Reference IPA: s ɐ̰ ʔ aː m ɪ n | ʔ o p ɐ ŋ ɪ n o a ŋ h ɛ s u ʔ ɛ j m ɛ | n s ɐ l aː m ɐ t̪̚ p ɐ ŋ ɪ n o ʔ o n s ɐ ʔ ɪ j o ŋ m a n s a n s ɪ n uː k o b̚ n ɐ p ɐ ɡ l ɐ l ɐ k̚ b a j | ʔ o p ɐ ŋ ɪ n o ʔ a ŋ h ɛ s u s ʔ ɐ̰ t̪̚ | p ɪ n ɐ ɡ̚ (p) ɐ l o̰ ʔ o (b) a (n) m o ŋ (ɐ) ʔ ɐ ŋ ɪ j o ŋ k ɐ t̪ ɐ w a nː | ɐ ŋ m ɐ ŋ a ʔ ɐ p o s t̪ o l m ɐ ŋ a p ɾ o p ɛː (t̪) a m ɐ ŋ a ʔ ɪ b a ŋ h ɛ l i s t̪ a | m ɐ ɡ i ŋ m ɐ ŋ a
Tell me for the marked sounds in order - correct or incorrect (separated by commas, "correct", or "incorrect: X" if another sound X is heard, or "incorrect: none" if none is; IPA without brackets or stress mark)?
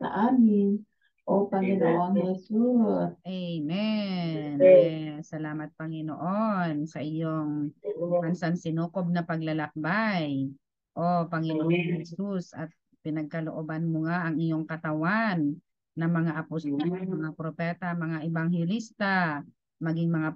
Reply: incorrect: k, correct, correct, incorrect: a, correct